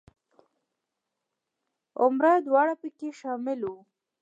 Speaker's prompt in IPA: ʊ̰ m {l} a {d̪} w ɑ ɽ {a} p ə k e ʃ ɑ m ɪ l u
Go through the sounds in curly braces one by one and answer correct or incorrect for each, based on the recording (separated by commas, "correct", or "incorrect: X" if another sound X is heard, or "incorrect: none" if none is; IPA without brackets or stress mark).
incorrect: ɾ, correct, correct